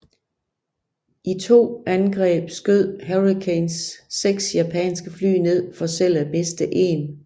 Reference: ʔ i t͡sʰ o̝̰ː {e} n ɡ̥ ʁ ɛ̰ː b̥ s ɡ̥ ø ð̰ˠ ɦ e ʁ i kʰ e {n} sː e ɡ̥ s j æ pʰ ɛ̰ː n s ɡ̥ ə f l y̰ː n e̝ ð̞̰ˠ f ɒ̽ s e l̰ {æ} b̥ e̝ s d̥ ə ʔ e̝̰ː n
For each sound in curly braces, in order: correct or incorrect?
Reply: incorrect: æ, correct, correct

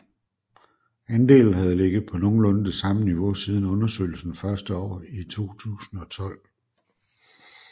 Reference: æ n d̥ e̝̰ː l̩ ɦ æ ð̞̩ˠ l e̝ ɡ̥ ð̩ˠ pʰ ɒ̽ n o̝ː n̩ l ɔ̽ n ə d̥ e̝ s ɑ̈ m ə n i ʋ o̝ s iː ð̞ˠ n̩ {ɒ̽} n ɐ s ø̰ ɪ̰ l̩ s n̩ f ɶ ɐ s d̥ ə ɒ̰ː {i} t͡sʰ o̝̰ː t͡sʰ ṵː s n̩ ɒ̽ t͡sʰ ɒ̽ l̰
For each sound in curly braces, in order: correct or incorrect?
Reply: incorrect: ɔ̽, correct

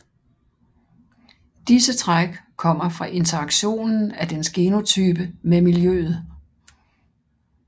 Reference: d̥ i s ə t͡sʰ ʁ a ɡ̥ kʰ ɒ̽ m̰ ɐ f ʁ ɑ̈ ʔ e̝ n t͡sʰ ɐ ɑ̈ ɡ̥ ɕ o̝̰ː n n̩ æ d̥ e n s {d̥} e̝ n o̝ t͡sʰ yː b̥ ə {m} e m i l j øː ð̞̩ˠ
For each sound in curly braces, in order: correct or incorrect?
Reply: incorrect: ɡ̥, correct

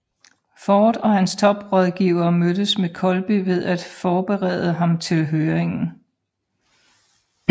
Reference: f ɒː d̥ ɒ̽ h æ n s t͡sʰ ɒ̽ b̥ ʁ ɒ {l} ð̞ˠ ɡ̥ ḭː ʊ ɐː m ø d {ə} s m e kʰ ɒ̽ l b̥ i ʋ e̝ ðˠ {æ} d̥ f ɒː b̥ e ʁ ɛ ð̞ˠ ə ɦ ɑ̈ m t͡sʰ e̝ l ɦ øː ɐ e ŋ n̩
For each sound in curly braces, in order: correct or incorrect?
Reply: incorrect: none, correct, correct

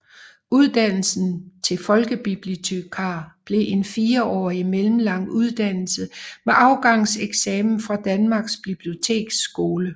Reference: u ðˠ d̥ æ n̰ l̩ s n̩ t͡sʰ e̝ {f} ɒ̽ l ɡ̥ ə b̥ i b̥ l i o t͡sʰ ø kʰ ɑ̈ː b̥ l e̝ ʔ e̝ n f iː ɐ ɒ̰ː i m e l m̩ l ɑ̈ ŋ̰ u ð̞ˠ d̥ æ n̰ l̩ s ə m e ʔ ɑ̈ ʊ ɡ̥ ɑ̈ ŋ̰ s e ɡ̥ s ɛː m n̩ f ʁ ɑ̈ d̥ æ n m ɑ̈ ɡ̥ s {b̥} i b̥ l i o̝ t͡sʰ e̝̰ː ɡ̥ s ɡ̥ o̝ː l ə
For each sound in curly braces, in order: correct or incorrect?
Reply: correct, correct

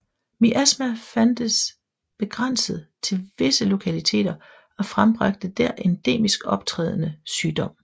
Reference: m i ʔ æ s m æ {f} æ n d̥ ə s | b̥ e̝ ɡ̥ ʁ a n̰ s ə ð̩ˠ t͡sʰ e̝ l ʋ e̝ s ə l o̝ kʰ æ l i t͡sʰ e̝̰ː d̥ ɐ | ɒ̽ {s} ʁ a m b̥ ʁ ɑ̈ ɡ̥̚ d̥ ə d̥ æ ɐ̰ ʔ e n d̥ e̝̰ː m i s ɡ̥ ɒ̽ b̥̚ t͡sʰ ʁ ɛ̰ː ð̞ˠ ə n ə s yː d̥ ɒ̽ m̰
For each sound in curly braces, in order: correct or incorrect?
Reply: correct, incorrect: f

